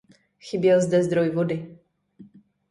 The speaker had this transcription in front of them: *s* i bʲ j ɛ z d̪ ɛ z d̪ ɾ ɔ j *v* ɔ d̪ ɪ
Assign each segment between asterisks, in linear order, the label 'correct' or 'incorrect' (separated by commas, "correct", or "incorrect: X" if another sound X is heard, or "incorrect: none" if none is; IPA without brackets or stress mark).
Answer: incorrect: x, correct